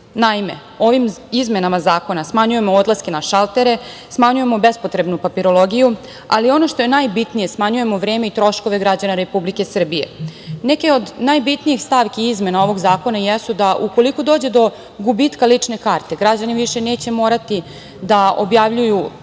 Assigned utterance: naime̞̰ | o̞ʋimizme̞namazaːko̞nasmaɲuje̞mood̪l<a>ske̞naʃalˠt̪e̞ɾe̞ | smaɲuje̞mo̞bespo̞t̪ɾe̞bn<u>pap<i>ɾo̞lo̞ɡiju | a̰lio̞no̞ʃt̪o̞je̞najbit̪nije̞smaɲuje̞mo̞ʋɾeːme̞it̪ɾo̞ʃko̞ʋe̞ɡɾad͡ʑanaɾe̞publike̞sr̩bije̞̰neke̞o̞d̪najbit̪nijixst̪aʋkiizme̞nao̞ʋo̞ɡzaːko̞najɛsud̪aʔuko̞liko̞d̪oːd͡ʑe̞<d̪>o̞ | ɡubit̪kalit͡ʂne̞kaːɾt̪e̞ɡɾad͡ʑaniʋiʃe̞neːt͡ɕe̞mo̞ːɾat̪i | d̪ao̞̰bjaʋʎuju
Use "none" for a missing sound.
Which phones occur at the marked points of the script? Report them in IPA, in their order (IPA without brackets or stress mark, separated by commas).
a, u, i, d̪